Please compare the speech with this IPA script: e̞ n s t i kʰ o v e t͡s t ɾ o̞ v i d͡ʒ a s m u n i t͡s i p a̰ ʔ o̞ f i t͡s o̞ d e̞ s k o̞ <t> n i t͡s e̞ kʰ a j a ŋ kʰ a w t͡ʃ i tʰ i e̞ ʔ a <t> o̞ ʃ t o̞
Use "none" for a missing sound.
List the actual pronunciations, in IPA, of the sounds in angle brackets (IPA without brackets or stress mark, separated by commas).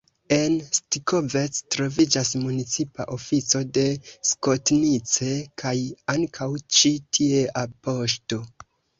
t, p